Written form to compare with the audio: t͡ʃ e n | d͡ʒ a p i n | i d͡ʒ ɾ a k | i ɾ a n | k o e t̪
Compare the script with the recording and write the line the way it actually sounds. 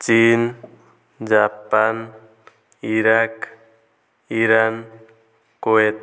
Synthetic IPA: t͡ʃ i n | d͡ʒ a p a n | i ɾ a k | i ɾ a n | k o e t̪